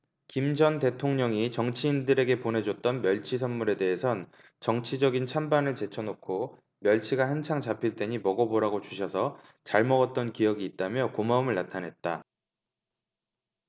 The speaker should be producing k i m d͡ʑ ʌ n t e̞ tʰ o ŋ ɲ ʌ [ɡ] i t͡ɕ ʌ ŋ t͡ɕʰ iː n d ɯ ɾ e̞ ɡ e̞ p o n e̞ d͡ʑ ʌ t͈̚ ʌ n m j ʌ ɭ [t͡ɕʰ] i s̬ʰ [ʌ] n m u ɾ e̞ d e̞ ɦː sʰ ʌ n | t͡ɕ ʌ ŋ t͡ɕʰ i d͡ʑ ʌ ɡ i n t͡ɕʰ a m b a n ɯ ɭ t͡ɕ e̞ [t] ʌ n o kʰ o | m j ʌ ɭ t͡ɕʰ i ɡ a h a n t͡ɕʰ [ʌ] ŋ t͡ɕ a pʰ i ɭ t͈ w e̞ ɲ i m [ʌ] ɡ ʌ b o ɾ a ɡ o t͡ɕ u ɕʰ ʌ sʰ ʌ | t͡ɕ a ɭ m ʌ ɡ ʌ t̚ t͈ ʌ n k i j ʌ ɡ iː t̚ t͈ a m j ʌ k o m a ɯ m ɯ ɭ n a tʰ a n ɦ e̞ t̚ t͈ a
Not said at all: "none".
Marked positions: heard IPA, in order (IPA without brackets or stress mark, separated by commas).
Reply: ŋ, t͡ɕʰ, ʌ, t͡ɕʰ, a, ʌ